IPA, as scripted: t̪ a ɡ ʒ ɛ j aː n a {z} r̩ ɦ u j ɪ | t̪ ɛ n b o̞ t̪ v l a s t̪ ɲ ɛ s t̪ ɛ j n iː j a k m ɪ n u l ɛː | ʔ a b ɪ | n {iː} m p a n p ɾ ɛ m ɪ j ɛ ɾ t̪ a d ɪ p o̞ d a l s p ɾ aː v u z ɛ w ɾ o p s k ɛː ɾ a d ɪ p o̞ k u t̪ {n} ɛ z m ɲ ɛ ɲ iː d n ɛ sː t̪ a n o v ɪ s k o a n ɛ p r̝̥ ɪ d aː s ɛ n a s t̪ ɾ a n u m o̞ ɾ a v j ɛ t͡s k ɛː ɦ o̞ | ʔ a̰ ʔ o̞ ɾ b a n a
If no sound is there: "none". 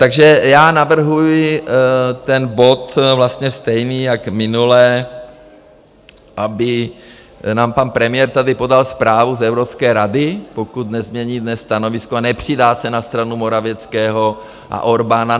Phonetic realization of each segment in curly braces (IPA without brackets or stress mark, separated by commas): v, aː, n